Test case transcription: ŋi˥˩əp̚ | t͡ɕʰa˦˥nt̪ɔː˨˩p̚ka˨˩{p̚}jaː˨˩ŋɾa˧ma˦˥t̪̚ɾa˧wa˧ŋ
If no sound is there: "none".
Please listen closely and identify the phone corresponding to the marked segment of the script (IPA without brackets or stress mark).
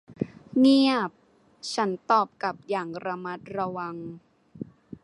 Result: p̚